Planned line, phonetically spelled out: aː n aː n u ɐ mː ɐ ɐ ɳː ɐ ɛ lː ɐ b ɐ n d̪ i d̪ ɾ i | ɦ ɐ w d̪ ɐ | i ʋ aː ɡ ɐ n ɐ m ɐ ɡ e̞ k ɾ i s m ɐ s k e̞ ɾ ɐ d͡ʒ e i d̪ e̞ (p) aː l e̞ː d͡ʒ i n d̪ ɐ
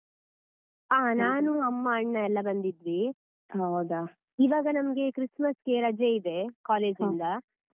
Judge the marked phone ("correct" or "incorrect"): incorrect